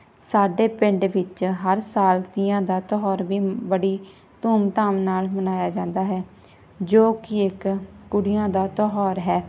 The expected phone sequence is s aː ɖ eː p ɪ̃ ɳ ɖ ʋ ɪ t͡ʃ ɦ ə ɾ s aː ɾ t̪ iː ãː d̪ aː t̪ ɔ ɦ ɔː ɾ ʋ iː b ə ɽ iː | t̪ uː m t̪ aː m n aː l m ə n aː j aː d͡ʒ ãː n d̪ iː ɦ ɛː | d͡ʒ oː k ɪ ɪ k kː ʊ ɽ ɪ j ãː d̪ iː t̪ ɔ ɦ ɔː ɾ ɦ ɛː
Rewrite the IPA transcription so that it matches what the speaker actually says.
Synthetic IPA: s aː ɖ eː p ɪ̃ ɳ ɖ ʋ ɪ t͡ʃ ɦ ə ɾ s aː l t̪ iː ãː d̪ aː t̪ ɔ ɦ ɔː ɾ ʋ iː b ə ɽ iː | t̪ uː m t̪ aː m n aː l m ə n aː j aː d͡ʒ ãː n d̪ aː ɦ ɛː | d͡ʒ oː k ɪ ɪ k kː ʊ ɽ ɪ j ãː d̪ aː t̪ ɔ ɦ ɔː ɾ ɦ ɛː